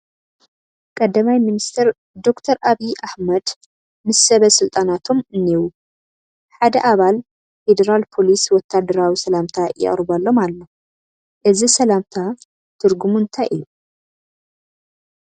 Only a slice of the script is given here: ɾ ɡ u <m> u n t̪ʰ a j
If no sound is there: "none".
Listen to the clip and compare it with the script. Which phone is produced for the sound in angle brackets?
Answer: m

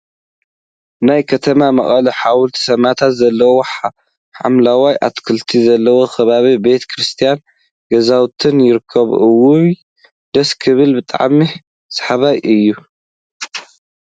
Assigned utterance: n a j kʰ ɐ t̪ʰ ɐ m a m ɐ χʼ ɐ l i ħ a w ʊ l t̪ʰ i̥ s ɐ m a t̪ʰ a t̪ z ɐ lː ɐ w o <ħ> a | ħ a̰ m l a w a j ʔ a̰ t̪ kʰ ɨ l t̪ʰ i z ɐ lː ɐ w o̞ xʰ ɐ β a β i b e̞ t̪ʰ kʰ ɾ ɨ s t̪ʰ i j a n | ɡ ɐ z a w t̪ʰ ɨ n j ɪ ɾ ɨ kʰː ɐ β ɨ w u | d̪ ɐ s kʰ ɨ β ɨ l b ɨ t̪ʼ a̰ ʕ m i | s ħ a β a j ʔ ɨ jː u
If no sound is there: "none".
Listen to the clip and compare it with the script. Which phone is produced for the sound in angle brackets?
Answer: ħ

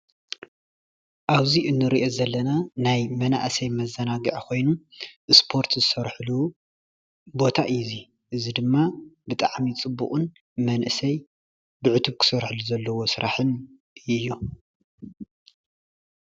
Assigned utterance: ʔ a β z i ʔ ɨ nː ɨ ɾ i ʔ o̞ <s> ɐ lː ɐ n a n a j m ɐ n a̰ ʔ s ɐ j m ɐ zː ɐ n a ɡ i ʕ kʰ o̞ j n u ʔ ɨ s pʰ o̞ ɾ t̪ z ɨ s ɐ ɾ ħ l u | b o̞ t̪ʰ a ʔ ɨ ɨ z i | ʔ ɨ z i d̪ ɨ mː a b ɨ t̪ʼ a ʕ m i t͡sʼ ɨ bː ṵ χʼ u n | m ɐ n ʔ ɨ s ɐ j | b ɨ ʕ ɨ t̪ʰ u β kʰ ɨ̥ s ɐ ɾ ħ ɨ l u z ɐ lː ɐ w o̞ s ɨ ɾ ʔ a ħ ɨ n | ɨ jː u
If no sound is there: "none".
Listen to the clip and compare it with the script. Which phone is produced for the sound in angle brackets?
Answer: z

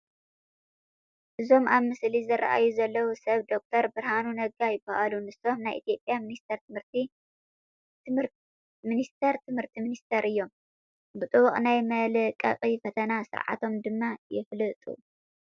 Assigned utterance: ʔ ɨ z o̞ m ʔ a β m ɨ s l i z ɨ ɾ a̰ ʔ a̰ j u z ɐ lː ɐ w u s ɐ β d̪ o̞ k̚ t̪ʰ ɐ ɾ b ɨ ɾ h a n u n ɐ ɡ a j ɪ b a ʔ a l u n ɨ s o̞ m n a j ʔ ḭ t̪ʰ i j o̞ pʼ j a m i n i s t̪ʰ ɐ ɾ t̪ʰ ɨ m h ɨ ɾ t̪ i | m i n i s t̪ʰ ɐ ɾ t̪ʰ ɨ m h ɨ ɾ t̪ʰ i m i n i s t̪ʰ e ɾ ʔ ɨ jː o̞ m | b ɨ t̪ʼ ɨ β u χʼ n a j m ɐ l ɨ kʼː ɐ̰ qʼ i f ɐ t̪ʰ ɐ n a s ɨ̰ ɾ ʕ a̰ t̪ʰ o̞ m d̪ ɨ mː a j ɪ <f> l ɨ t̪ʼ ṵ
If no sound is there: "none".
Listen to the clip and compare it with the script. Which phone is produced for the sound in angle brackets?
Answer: f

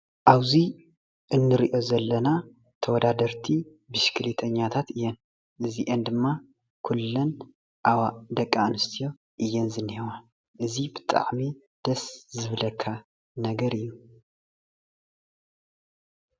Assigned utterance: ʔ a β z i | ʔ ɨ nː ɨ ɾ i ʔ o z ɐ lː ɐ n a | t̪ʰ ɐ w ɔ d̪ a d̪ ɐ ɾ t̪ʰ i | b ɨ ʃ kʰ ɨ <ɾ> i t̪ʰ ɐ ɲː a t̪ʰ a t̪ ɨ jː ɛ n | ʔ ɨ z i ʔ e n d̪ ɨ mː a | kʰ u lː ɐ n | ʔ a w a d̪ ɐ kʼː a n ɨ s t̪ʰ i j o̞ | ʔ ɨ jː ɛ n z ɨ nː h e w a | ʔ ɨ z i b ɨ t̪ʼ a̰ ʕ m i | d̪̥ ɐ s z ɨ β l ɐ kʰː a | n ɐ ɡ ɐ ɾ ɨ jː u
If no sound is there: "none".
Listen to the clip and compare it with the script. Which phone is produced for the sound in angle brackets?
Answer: l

